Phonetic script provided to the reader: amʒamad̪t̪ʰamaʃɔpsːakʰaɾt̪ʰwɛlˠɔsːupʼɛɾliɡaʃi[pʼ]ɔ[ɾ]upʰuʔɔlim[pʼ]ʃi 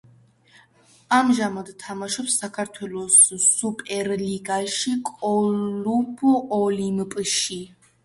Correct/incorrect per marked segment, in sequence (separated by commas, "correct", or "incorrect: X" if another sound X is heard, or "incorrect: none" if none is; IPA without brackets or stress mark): incorrect: kʼ, incorrect: l, correct